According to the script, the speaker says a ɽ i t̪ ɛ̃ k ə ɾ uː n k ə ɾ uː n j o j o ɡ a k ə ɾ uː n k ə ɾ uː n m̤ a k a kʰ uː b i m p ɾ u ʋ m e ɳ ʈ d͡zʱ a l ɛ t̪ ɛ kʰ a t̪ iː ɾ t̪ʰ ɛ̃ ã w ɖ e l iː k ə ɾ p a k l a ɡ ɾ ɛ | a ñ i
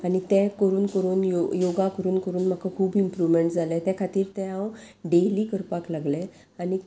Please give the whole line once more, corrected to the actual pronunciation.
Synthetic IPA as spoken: a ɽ i t̪ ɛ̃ k ə ɾ uː n k ə ɾ uː n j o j o ɡ a k ə ɾ uː n k ə ɾ uː n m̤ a k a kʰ uː b i m p ɾ u ʋ m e ɳ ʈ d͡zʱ a l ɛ t̪ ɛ kʰ a t̪ iː ɾ t̪ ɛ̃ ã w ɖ e l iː k ə ɾ p a k l a ɡ l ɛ | a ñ i